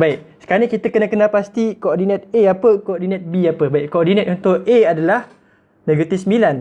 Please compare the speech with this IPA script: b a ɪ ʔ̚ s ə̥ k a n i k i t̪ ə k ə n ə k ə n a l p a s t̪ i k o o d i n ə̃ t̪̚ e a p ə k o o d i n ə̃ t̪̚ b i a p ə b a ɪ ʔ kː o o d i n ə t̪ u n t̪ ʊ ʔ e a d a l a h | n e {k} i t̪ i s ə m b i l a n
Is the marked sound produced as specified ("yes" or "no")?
no